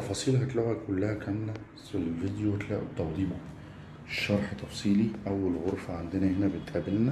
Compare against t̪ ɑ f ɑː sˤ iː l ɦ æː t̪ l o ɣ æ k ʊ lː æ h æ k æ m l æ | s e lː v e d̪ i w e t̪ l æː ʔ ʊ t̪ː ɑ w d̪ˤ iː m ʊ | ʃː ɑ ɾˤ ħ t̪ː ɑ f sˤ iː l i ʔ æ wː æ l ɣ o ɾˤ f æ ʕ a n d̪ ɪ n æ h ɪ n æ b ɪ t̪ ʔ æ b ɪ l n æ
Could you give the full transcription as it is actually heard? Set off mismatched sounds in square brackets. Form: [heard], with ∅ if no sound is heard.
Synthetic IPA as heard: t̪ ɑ f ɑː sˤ iː l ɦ [æ] t̪ l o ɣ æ k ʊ lː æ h æ k æ m l æ | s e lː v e d̪ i w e t̪ l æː ʔ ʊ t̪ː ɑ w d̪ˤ iː m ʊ | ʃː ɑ ɾˤ ħ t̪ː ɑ f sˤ iː l i ʔ æ wː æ l ɣ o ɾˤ f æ ʕ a n d̪ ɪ n æ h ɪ n æ b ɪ t̪ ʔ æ b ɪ l n æ